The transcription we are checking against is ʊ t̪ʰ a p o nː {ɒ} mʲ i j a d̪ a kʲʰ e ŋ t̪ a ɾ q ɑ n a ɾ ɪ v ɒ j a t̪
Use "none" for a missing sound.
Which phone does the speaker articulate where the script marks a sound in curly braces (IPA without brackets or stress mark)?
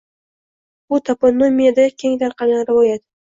o